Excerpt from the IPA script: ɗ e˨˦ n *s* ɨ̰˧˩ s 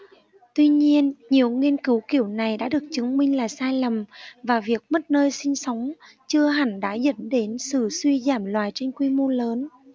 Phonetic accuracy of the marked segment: correct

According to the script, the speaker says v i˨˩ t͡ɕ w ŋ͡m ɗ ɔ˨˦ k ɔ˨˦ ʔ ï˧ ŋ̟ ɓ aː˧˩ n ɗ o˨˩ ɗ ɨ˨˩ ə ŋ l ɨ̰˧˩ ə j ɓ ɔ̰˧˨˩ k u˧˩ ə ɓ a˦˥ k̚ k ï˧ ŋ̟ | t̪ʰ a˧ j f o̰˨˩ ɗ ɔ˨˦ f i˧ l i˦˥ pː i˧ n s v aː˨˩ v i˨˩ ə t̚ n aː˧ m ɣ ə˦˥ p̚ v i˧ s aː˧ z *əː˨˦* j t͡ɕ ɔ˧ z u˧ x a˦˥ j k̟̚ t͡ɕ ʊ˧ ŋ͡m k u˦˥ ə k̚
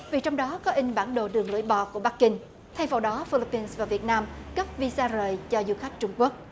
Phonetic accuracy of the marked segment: incorrect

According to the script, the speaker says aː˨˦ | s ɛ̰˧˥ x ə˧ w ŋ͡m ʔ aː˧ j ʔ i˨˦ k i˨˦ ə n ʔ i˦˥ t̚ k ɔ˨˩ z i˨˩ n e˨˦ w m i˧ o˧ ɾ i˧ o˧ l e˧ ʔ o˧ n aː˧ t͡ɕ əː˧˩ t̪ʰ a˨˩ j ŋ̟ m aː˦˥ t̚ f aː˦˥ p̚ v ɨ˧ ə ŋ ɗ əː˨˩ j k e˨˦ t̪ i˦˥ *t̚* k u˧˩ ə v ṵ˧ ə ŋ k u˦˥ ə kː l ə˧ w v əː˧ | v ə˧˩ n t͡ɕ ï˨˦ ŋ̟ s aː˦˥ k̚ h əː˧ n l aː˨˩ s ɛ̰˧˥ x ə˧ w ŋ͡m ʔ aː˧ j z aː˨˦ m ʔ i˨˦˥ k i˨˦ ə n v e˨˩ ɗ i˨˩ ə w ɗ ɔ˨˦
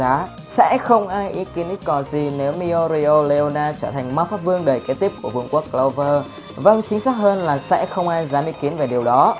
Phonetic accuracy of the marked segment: incorrect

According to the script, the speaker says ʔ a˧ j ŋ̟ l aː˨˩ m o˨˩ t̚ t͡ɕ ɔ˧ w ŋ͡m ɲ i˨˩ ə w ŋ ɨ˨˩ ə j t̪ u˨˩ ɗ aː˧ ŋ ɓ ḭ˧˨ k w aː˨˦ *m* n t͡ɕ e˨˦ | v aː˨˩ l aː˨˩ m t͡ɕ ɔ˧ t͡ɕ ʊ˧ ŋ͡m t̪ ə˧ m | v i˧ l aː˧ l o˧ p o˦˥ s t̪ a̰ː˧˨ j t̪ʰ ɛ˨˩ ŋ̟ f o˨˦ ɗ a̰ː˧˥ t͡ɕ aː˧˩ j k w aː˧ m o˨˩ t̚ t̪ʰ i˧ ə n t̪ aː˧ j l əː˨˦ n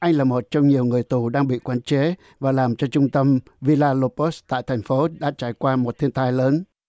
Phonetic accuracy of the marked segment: incorrect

